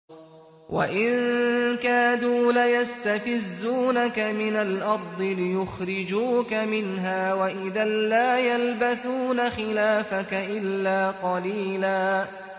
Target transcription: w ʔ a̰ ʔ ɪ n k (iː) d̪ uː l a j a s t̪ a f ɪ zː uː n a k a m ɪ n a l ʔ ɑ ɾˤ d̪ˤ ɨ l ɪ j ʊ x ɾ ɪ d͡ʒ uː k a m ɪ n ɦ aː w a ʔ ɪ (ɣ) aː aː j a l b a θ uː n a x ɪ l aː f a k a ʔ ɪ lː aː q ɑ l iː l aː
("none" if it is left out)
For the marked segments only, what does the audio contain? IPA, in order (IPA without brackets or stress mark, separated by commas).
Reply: aː, ð